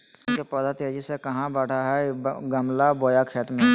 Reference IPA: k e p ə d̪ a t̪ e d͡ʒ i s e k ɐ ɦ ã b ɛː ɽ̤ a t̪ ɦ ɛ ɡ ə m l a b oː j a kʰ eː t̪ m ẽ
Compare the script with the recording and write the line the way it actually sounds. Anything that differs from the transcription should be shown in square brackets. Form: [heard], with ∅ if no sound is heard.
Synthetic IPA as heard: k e p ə d̪ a t̪ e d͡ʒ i s e k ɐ ɦ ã b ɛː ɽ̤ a [∅] ɦ ɛ ɡ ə m l a b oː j a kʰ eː t̪ m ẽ